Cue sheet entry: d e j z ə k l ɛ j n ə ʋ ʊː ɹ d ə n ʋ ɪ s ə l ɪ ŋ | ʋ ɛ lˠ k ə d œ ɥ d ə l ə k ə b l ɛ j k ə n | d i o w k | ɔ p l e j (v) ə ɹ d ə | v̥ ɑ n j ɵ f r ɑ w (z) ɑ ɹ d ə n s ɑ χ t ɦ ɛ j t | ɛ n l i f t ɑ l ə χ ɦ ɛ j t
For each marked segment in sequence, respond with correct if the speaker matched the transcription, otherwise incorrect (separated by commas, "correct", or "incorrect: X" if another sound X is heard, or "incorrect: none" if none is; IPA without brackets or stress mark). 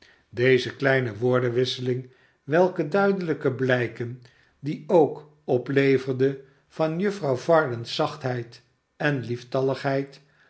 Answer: correct, incorrect: v